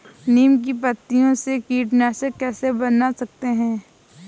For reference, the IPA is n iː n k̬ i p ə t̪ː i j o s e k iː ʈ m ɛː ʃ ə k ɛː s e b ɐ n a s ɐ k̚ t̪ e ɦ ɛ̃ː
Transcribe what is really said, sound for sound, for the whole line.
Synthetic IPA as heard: n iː m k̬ i p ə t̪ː i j õ s e k iː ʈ n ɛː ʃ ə k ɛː s e b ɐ n a s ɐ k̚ t̪ e ɦ ɛ̃ː